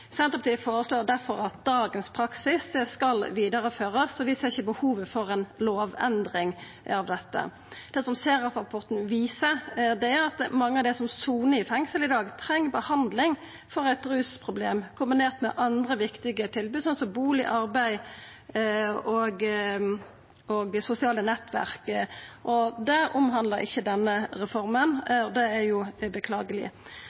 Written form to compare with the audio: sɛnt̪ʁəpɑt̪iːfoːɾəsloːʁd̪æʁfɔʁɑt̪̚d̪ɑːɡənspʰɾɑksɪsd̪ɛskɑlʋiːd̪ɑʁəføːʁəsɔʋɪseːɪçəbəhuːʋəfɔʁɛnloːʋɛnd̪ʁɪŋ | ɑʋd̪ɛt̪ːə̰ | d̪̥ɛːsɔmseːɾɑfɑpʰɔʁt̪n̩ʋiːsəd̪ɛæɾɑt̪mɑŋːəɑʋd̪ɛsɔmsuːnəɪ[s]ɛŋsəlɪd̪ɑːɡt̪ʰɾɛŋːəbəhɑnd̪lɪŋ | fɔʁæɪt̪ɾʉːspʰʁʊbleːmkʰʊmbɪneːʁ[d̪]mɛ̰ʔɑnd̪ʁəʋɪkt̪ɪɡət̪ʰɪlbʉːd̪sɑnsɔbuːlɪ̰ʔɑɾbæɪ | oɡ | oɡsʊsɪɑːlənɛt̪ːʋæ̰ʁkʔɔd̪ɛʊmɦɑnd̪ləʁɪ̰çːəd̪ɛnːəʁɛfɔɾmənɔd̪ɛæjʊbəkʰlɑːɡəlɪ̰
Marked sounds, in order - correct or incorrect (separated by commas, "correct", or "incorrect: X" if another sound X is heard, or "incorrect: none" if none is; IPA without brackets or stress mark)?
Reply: incorrect: f, incorrect: t̪